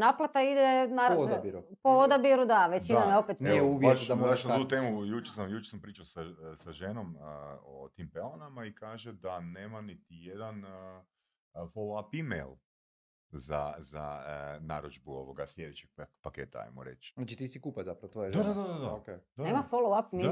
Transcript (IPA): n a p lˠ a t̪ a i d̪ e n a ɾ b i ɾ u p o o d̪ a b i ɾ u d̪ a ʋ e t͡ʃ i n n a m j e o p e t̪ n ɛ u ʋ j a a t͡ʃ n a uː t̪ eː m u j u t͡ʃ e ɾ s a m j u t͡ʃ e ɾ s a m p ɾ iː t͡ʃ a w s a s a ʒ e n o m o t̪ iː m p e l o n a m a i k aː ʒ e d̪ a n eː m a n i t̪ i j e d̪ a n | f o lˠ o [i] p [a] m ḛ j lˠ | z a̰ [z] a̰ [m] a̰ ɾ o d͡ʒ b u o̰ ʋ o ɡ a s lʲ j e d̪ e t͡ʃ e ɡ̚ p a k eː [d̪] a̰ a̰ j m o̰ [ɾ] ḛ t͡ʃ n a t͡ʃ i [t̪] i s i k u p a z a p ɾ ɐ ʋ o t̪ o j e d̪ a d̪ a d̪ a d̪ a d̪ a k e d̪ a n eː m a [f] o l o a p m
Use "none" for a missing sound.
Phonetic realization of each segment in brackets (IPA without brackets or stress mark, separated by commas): a, i, z, n, t̪, ɾ, t̪, f